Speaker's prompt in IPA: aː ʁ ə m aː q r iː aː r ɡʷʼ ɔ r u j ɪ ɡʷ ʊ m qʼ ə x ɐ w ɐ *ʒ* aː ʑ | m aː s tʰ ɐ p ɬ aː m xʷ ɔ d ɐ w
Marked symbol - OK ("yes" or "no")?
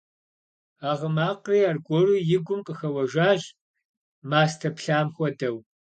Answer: yes